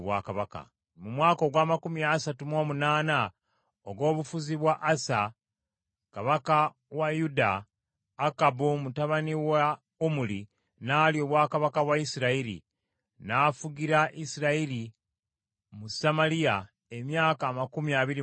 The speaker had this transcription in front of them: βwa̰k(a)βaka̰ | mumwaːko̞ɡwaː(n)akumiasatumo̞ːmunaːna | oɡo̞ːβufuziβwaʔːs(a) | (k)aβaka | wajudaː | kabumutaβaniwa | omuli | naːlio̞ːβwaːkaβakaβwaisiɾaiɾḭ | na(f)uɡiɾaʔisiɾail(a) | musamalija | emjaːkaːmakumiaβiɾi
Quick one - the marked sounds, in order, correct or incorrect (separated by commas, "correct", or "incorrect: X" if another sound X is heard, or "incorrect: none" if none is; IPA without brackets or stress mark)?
correct, incorrect: m, correct, correct, correct, incorrect: i